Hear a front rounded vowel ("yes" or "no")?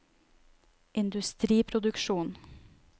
no